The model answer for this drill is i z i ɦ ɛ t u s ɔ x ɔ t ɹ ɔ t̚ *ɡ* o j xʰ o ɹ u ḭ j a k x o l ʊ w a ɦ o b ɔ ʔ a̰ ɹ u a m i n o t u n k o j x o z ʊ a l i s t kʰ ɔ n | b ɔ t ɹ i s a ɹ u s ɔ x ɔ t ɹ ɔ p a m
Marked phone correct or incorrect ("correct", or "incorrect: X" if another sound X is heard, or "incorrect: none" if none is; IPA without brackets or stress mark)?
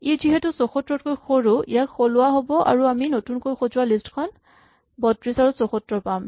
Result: incorrect: k